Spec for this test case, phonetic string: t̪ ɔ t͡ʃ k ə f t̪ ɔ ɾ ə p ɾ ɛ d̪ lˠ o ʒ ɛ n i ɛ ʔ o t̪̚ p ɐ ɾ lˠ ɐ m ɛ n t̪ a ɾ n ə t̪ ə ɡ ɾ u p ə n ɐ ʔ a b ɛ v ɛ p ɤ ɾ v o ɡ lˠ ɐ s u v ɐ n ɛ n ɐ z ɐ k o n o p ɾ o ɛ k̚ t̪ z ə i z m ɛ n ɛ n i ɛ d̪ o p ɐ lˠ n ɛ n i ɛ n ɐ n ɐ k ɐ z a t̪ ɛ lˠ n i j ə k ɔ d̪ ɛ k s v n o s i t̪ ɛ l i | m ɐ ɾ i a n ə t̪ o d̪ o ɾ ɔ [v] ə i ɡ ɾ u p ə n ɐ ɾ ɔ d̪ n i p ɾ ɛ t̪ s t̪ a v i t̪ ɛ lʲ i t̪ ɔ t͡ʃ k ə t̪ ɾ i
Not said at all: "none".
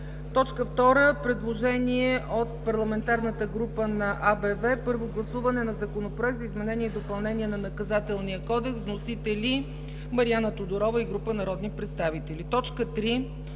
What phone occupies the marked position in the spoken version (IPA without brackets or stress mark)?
v